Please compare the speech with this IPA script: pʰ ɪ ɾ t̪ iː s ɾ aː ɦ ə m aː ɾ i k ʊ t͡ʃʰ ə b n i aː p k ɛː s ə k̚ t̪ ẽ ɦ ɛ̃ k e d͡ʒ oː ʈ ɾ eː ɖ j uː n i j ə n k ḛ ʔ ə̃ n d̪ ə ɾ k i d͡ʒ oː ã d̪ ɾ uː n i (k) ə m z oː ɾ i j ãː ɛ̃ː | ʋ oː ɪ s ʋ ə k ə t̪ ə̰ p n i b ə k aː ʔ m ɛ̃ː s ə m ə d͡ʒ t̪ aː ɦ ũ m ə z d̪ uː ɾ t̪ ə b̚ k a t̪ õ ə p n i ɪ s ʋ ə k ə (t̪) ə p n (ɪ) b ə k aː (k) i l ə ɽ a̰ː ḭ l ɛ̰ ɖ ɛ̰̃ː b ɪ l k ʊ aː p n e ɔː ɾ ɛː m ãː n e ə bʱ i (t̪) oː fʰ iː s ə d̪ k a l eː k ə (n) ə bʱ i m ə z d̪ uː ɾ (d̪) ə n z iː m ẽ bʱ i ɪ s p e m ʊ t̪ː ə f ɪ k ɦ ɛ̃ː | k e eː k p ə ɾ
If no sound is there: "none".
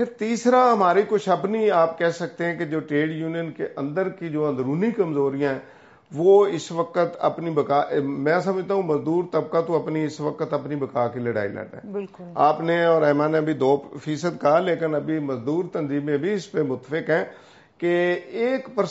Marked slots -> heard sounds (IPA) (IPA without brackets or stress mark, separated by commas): k, t̪, i, k, d̪, n, t̪